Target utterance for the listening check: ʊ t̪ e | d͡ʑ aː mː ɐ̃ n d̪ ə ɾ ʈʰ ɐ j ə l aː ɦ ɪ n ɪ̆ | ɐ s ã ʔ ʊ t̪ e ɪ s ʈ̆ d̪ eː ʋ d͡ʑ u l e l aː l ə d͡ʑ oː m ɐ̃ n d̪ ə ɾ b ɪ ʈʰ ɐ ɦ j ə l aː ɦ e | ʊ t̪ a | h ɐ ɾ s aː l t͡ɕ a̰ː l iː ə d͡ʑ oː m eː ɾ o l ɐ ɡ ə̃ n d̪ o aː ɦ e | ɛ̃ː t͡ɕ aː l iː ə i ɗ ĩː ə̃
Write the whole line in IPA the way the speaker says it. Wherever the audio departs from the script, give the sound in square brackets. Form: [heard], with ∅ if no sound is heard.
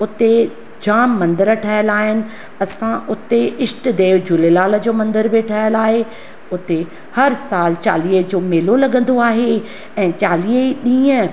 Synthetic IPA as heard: ʊ t̪ e | d͡ʑ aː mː ɐ̃ n d̪ ə ɾ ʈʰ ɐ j ə l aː ɦ ɪ n ɪ̆ | ɐ s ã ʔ ʊ t̪ e ɪ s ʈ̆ d̪ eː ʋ d͡ʑ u l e l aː l ə d͡ʑ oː m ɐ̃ n d̪ ə ɾ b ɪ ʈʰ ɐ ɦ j ə l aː ɦ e | ʊ t̪ [e] | h ɐ ɾ s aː l t͡ɕ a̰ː l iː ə d͡ʑ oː m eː [l] o l ɐ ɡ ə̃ n d̪ o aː ɦ e | ɛ̃ː t͡ɕ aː l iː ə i ɗ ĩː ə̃